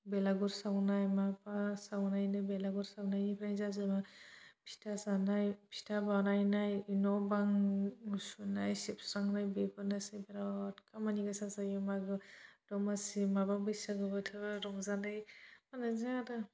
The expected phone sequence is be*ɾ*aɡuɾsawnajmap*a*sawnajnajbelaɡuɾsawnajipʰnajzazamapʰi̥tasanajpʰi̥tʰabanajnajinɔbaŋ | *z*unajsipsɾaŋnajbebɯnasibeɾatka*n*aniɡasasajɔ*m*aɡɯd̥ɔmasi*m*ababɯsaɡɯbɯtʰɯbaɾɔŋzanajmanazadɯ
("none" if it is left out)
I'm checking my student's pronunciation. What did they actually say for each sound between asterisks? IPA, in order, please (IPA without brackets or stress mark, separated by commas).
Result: l, a, s, m, m, m